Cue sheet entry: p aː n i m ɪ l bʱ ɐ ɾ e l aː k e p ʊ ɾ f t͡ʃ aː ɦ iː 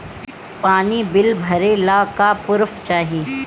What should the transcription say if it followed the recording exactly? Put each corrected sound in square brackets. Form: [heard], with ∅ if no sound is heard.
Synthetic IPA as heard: p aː n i [b] ɪ l bʱ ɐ ɾ e l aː k [a] p ʊ ɾ f t͡ʃ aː ɦ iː

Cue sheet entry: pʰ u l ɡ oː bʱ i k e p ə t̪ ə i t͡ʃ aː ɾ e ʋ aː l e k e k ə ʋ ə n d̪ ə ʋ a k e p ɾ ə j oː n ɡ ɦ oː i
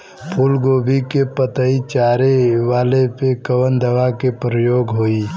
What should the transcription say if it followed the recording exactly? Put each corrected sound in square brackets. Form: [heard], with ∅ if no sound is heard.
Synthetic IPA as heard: pʰ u l ɡ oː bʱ i k e p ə t̪ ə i t͡ʃ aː ɾ e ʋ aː l e [p] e k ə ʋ ə n d̪ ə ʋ a k e p ɾ ə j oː [∅] ɡ ɦ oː i

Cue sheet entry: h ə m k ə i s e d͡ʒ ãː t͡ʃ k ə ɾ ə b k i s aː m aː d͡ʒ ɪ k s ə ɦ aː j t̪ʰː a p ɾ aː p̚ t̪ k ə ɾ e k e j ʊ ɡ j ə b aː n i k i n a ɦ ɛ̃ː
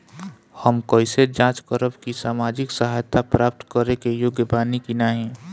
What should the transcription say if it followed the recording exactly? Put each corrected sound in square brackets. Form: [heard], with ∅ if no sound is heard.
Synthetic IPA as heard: h ə m k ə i s e d͡ʒ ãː t͡ʃ k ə ɾ ə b k i s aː m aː d͡ʒ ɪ k s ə ɦ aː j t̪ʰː a p ɾ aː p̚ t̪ k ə ɾ e k e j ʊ ɡ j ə b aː n i k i n a ɦ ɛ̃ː

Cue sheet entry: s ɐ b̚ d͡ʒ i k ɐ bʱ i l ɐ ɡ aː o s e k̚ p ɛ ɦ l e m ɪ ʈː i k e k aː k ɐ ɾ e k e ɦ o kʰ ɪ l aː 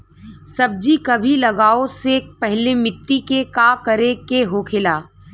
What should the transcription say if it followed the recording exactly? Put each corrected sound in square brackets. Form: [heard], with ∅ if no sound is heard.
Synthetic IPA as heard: s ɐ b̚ d͡ʒ i k ɐ bʱ i l ɐ ɡ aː o s e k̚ p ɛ ɦ l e m ɪ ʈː i k e k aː k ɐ ɾ e k e ɦ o kʰ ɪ l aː

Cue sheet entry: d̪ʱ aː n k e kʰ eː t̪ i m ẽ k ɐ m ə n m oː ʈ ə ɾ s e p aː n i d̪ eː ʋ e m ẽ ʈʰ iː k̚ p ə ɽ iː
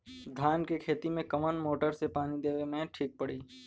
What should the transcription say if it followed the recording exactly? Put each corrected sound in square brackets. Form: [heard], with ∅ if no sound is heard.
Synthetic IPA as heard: d̪ʱ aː n k e kʰ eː t̪ i m ẽ k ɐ m ə n m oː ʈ ə ɾ s e p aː n i d̪ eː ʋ e m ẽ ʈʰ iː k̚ p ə ɽ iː

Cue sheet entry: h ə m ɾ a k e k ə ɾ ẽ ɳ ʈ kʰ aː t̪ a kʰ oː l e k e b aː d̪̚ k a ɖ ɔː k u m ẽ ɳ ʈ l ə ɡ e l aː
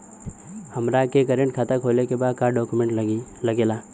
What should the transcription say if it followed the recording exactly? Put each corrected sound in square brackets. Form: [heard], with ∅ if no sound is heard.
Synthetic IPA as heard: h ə m ɾ a k e k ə ɾ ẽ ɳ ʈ kʰ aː t̪ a kʰ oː l e k e b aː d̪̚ k a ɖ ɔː k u m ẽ ɳ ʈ l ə ɡ e l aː

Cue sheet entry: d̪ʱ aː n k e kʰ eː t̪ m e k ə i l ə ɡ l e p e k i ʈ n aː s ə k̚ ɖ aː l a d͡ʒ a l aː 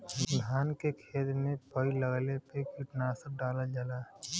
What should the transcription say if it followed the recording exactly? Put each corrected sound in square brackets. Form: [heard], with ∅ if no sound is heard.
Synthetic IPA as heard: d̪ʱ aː n k e kʰ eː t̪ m e [p] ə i l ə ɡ l e p e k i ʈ n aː s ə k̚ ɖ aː l a d͡ʒ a l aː

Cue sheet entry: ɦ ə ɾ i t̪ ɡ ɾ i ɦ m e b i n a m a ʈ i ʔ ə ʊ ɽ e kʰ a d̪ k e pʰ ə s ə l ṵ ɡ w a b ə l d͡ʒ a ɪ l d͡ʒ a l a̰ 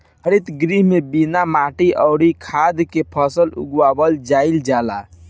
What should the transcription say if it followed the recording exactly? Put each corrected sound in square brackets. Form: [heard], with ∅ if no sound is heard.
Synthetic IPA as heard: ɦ ə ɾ i t̪ ɡ ɾ i ɦ m e b i n a m a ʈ i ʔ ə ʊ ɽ [i] kʰ a d̪ k e pʰ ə s ə l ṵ ɡ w a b ə l d͡ʒ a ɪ l d͡ʒ a l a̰

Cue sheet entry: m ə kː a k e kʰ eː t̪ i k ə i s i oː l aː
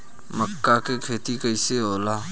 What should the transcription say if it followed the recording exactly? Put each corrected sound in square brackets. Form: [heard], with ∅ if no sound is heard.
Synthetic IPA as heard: m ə kː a k e kʰ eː t̪ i k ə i s [e] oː l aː

